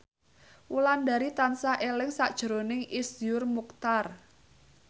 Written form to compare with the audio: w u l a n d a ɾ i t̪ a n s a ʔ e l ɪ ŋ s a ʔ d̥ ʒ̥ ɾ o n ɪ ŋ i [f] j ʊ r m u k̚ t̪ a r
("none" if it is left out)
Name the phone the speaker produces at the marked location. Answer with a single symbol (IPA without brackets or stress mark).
s